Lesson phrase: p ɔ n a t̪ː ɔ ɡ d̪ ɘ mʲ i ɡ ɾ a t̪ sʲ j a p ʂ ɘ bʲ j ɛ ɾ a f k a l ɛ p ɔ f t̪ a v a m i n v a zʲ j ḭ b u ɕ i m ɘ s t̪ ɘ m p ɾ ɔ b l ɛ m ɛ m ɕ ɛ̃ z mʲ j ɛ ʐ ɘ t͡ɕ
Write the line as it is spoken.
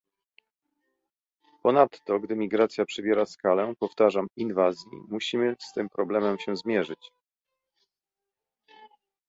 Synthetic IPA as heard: p ɔ n a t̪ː ɔ ɡ d̪ ɘ mʲ i ɡ ɾ a t̪ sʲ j a p ʂ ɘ bʲ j ɛ ɾ a s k a l ɛ p ɔ f t̪ a ʐ a m i n v a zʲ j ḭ m u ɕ i m ɘ s t̪ ɘ m p ɾ ɔ b l ɛ m ɛ m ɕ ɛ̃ z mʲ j ɛ ʐ ɘ t͡ɕ